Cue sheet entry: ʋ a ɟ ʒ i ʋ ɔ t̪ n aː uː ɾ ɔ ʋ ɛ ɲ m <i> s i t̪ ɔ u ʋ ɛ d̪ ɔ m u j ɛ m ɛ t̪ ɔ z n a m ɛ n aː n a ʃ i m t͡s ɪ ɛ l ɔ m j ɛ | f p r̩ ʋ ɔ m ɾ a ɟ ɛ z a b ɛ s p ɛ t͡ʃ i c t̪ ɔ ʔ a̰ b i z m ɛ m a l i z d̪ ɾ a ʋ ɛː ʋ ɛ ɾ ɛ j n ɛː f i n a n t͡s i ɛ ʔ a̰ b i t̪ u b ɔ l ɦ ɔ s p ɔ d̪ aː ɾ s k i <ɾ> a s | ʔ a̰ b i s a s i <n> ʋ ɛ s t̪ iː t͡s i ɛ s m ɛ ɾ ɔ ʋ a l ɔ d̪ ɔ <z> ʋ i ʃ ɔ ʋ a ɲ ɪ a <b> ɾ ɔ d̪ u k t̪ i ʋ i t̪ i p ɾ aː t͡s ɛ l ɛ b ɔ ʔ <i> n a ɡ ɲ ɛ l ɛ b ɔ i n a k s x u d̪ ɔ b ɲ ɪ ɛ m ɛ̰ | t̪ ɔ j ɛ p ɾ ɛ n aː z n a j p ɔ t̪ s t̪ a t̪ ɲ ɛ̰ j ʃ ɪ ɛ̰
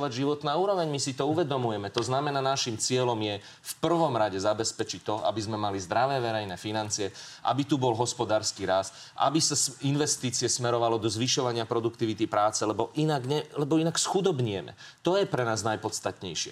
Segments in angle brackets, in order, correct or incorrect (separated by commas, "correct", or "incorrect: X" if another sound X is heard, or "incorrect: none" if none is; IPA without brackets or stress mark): correct, correct, correct, correct, incorrect: p, correct